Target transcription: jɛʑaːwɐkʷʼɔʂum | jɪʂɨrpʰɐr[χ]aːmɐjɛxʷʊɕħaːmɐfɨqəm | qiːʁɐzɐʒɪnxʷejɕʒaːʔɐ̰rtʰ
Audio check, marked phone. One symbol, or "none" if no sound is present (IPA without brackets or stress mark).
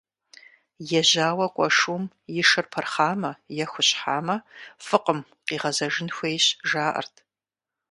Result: χ